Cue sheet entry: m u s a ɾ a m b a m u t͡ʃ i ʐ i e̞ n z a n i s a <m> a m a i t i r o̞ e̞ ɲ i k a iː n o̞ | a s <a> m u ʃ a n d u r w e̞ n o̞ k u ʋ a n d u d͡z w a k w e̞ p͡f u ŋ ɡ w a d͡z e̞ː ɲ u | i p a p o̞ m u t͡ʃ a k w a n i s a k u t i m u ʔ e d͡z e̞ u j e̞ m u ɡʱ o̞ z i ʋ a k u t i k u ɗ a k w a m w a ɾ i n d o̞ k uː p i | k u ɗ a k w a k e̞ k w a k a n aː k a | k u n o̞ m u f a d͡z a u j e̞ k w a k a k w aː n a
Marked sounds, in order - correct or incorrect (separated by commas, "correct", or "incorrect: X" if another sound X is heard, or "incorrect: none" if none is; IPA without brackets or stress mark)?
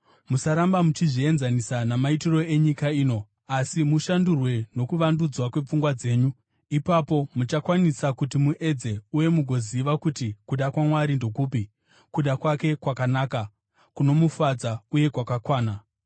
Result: incorrect: n, incorrect: i